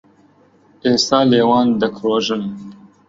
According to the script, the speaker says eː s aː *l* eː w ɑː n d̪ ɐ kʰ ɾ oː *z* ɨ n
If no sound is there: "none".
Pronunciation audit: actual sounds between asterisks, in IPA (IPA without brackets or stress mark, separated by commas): l, ʒ